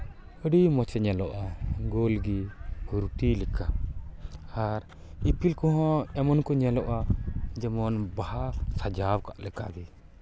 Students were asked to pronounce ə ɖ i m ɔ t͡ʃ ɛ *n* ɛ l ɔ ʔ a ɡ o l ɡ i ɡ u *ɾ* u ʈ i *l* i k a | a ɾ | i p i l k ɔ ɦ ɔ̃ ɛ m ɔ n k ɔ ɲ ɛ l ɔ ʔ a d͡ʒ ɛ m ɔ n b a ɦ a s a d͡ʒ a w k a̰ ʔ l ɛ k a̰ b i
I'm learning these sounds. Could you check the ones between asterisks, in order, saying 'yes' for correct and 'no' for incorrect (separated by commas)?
no, yes, yes